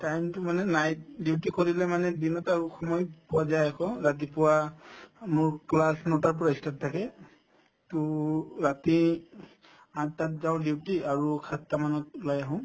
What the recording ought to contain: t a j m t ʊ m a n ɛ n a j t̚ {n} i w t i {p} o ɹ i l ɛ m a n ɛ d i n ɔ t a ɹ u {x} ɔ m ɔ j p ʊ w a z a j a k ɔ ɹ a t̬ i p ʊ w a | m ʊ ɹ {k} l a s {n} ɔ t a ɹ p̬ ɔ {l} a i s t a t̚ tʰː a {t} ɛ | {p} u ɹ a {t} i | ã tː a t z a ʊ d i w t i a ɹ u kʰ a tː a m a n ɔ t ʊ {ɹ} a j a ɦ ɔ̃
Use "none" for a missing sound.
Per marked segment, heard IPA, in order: d, k, x, k, n, ɹ, k, t, t, l

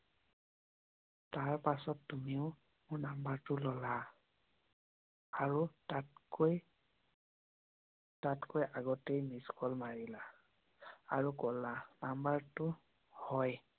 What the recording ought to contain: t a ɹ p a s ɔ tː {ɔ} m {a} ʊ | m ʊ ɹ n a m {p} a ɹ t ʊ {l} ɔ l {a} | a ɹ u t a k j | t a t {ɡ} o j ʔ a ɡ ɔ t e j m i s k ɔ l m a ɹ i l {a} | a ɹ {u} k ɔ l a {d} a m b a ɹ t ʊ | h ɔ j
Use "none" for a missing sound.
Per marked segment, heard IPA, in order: u, i, b, l, a, k, a, u, n

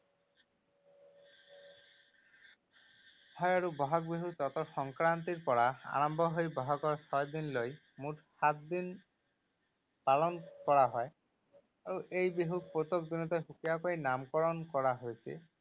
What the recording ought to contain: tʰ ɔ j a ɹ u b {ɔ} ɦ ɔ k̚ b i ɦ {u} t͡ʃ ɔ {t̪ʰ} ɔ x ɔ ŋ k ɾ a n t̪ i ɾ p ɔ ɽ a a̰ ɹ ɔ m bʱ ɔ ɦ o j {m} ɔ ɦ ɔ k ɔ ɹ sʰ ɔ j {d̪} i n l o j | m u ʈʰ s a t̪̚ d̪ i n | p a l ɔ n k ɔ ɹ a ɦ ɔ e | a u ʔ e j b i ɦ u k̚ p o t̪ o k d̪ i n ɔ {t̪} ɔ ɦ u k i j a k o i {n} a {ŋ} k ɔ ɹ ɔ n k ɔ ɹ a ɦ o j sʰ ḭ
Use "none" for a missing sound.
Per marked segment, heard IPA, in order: ɔ, u, t̪, b, d̪, t̪, n, m

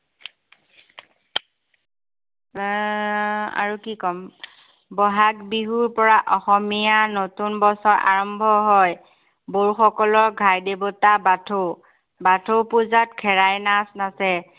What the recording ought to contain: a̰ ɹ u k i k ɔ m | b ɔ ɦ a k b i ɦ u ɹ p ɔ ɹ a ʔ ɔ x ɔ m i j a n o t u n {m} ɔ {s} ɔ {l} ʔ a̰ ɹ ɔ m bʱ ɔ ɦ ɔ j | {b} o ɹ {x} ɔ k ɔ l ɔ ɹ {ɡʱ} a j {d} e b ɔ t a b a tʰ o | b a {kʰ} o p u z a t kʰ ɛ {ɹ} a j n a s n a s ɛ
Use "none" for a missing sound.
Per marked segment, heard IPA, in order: b, s, ɹ, b, x, ɡʱ, d, tʰ, ɹ

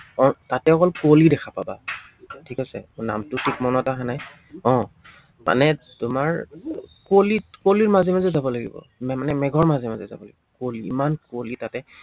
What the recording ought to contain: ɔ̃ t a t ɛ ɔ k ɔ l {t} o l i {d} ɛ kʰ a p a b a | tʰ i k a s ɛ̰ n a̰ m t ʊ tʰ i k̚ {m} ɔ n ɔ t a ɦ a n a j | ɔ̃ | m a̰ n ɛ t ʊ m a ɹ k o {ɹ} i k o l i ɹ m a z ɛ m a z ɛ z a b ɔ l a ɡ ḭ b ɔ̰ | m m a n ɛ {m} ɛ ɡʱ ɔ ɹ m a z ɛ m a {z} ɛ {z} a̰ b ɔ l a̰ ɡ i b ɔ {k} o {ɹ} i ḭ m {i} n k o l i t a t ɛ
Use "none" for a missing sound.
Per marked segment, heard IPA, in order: k, d, m, l, m, z, z, k, l, a

